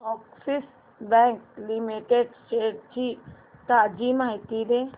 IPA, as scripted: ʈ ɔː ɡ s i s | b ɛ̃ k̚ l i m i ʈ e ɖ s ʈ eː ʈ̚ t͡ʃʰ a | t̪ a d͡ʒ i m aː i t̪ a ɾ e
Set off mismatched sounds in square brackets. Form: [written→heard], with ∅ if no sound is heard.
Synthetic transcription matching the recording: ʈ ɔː [ɡ→k] s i s | b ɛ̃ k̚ l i m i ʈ e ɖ s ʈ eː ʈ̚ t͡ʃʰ [a→i] | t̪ a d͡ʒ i m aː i t̪ [a→i] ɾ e

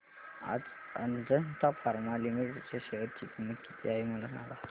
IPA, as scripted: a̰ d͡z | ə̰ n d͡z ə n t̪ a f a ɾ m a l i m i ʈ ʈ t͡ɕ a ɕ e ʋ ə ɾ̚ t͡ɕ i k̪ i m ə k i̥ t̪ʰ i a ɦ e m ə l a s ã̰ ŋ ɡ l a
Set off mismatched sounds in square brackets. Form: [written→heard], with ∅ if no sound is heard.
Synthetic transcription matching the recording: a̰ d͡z | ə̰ n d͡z ə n t̪ a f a ɾ m a l i m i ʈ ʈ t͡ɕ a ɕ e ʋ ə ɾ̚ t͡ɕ i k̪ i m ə k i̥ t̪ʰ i a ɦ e m ə l a s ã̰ ŋ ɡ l a

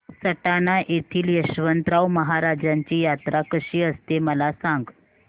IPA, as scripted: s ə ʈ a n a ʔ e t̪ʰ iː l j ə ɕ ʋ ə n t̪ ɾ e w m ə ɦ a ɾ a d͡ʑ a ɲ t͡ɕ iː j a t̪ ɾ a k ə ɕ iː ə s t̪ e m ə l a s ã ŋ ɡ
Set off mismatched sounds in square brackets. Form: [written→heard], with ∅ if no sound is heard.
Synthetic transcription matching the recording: s ə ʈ a n a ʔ e t̪ʰ iː l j ə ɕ ʋ ə n t̪ ɾ [e→a] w m ə ɦ a ɾ a d͡ʑ a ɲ t͡ɕ iː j a t̪ ɾ a k ə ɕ iː ə s t̪ e m ə l a s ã ŋ ɡ

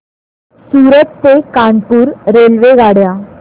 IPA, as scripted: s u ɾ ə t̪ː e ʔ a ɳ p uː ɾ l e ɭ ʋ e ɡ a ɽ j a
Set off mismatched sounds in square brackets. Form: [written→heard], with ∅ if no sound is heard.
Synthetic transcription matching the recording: s u ɾ ə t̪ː e [ʔ→k] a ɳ p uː ɾ [l→ɾ] e [ɭ→l] ʋ e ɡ a ɽ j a

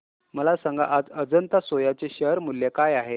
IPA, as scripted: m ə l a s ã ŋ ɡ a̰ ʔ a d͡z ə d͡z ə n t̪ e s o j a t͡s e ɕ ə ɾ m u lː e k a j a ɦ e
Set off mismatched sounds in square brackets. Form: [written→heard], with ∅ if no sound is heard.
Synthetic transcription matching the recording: m ə l a s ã ŋ ɡ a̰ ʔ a d͡z ə d͡z ə n t̪ [e→a] s o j a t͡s e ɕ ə ɾ m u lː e k a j a ɦ e

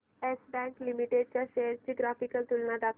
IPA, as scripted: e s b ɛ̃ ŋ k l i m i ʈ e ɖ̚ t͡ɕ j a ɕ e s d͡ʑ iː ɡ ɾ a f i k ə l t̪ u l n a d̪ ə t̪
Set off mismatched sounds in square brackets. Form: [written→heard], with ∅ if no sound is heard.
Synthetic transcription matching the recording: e s b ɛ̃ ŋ k l i m i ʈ e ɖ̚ t͡ɕ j a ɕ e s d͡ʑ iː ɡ ɾ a f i k ə l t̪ u l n a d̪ [ə→a] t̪

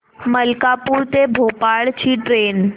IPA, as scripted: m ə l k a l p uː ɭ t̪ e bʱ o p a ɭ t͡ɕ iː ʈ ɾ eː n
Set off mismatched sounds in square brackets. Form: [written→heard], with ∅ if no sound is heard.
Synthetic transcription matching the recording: m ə l k a [l→∅] p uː [ɭ→ɾ] t̪ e bʱ o p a ɭ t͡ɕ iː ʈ ɾ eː n

